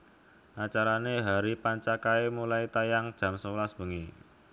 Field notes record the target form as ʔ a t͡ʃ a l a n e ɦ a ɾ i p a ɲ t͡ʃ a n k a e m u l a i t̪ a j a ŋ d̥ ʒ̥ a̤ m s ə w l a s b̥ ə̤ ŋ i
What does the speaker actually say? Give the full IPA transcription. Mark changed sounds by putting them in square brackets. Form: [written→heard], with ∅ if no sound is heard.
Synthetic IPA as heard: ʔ a t͡ʃ a [l→ɾ] a n e ɦ a ɾ i p a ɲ t͡ʃ a [n→∅] k a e m u l a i t̪ a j a ŋ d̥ ʒ̥ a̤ m s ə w l a s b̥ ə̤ ŋ i